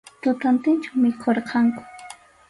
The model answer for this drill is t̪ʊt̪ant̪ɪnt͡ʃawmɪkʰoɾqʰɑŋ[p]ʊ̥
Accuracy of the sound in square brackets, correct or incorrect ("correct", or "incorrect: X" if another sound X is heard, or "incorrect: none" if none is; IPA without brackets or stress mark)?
incorrect: k